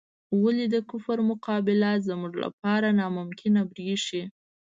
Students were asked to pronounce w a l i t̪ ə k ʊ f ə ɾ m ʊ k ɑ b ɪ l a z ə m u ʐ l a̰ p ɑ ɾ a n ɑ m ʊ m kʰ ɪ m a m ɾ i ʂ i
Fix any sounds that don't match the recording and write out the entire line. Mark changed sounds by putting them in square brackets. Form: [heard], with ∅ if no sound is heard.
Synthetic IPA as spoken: w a l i [d̪] ə k ʊ f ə ɾ m ʊ [q] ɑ b ɪ l a z ə m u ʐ l a̰ p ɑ ɾ a n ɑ m ʊ m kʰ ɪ [n] a [b] ɾ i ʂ i